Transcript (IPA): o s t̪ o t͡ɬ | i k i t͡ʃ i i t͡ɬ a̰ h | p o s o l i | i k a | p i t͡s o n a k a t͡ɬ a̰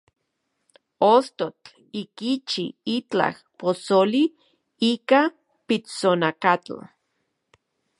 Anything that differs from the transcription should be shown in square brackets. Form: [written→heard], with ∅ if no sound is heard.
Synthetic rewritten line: o s t̪ o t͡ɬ | i k i t͡ʃ i i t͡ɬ a̰ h | p o s o l i | i k a | p i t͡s o n a k a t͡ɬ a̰